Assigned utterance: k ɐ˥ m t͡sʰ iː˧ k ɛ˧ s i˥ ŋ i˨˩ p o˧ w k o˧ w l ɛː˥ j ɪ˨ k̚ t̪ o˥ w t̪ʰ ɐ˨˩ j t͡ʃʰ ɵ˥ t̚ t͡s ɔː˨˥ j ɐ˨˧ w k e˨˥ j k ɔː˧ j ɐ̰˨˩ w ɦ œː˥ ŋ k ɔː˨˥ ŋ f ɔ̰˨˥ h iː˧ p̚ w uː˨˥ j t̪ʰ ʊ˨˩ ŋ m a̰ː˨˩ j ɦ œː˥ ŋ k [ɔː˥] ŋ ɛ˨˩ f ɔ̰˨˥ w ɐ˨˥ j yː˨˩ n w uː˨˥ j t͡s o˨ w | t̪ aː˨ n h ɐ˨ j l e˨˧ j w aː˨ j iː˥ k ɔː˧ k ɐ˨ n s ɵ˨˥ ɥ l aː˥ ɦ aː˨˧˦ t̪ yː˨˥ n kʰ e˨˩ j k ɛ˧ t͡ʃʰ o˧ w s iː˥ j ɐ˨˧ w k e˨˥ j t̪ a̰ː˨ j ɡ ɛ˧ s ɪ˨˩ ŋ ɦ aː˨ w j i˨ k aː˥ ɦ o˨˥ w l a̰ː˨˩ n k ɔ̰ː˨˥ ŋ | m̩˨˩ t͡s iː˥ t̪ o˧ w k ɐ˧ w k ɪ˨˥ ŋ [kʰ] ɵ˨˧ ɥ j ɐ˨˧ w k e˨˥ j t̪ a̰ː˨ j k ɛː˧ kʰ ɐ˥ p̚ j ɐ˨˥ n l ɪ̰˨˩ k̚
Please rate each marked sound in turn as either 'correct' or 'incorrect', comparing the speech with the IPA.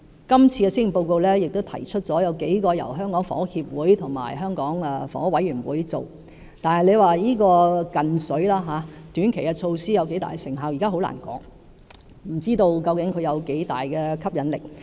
incorrect: ɔː˨˥, correct

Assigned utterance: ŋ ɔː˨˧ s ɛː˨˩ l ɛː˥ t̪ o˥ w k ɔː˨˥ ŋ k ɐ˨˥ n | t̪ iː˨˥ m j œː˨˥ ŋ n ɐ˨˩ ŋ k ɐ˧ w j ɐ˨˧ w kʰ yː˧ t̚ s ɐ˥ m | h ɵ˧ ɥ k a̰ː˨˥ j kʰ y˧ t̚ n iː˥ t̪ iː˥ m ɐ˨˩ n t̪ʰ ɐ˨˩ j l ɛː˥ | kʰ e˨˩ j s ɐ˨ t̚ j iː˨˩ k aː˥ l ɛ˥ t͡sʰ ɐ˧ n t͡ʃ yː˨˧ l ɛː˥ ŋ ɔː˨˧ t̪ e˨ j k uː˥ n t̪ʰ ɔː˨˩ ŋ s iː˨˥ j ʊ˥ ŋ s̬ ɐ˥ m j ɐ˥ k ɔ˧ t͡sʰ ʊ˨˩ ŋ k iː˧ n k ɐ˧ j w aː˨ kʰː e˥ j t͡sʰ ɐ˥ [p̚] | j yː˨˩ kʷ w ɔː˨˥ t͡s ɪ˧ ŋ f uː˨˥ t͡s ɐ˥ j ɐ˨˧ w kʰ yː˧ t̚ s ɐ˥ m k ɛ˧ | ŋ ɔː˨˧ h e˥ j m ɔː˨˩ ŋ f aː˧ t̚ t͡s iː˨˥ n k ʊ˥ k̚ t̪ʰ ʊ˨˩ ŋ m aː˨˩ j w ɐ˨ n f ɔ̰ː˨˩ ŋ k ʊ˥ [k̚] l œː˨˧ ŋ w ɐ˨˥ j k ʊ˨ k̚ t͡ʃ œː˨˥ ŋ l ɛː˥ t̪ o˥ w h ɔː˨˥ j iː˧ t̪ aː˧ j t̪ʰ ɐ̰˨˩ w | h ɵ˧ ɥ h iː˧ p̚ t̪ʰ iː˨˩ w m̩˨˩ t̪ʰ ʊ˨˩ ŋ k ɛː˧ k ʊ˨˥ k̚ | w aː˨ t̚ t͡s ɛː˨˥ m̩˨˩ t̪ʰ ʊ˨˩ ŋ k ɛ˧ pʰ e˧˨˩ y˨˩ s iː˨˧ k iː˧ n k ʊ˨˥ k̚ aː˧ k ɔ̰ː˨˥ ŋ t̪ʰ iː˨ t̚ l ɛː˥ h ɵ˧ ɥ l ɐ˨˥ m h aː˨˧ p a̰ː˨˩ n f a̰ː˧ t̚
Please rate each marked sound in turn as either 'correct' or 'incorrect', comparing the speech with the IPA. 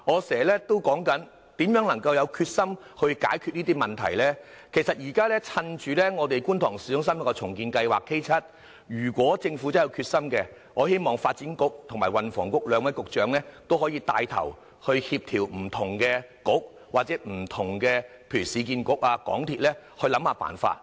incorrect: t̚, correct

